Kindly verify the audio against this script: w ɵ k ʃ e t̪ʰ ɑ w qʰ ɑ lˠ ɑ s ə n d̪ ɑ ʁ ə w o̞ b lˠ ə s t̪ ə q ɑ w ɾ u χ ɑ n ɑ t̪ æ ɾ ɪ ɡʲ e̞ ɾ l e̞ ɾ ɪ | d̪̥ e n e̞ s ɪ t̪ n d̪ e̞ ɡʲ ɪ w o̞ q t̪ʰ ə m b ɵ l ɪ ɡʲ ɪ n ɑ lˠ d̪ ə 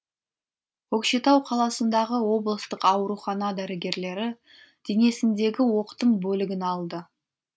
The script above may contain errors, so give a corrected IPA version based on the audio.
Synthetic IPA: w ɵ k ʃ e t̪ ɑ w qʰ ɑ lˠ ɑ s ə n d̪ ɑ ʁ ə w o̞ b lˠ ə s t̪ ə q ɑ w ɾ u χ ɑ n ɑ d̪ æ ɾ ɪ ɡʲ e̞ ɾ l e̞ ɾ ɪ | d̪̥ e n e̞ s ɪ n d̪ e̞ ɡʲ ɪ w o̞ q t̪ ə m b ɵ l ɪ ɡʲ ɪ n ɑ lˠ d̪ ə